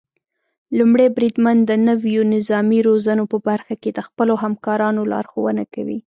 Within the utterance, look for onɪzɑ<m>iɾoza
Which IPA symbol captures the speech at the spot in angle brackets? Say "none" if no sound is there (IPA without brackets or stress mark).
m